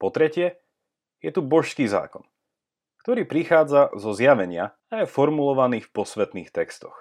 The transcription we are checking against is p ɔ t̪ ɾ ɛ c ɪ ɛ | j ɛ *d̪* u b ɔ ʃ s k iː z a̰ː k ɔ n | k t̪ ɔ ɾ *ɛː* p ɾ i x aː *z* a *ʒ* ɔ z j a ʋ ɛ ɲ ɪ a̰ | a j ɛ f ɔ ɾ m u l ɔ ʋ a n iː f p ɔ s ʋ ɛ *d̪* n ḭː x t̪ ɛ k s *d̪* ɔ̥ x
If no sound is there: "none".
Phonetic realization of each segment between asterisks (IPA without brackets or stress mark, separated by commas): t̪, iː, d͡z, z, t̪, t̪